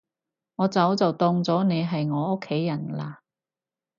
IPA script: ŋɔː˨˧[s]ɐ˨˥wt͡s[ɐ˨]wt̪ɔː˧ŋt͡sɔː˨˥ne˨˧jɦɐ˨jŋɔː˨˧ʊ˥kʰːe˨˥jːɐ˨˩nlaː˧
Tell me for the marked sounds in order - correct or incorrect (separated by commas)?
incorrect, correct